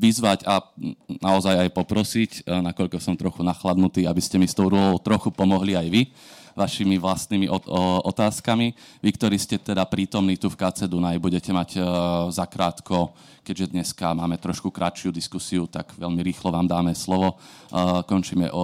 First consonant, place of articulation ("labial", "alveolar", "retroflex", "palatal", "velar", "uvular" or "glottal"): labial